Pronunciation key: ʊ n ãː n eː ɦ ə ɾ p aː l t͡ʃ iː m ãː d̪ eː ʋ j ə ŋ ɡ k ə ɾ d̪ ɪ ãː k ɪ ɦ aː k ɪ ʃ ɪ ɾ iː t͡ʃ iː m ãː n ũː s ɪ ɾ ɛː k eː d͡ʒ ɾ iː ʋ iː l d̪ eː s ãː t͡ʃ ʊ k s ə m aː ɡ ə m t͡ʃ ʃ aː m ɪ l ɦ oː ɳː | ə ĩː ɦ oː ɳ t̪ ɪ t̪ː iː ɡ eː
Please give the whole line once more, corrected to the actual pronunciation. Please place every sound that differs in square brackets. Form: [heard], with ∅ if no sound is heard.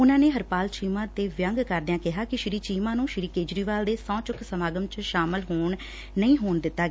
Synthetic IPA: ʊ n ãː n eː ɦ ə ɾ p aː l t͡ʃ iː m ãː [t̪] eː ʋ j ə ŋ ɡ k ə ɾ d̪ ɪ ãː k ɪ ɦ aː k ɪ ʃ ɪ ɾ iː t͡ʃ iː m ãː n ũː [ʃ] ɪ ɾ [iː] k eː d͡ʒ ɾ iː ʋ [aː] l d̪ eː s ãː t͡ʃ ʊ k s ə m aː ɡ ə m t͡ʃ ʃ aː m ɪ l ɦ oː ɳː | ə ĩː ɦ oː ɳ [d̪] ɪ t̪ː [aː] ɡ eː